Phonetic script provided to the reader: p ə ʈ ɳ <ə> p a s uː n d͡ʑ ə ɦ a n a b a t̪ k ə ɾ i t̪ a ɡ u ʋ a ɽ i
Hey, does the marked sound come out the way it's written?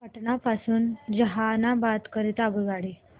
no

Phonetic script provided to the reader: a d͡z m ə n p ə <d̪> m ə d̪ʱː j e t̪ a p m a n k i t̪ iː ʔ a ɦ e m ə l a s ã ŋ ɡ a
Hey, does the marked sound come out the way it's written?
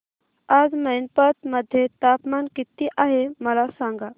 no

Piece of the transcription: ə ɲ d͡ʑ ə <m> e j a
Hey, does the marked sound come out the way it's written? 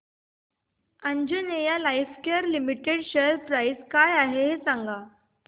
no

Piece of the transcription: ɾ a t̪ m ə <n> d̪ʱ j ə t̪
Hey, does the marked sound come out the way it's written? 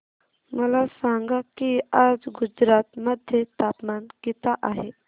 no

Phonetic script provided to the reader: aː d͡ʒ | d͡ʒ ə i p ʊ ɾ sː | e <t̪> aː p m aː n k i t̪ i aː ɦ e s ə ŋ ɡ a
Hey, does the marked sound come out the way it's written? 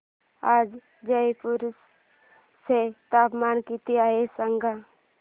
yes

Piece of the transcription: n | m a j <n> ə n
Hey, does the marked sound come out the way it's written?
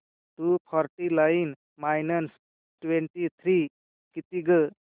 yes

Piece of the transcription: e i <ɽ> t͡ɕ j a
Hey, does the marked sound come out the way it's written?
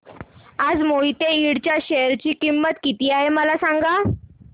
yes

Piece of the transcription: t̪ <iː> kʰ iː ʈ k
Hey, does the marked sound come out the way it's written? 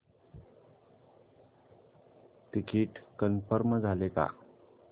no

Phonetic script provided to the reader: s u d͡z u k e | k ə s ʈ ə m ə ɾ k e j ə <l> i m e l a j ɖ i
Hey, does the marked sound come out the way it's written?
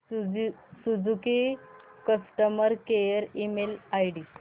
no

